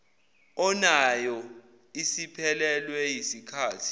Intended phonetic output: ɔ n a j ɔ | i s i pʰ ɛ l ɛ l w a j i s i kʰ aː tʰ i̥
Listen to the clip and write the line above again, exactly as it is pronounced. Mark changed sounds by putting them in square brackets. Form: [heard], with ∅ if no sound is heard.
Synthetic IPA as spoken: ɔ n a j ɔ | i s i pʰ ɛ l ɛ l w [ɛ] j i s i kʰ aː tʰ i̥